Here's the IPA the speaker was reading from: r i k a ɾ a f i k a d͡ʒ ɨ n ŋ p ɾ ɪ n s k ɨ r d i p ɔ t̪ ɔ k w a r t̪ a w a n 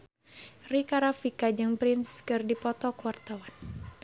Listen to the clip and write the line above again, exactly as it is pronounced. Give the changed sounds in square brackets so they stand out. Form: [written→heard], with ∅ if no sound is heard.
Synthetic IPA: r i k a ɾ a f i k a d͡ʒ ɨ [n→∅] ŋ p ɾ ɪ n s k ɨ r d i p ɔ t̪ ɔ k w a r t̪ a w a n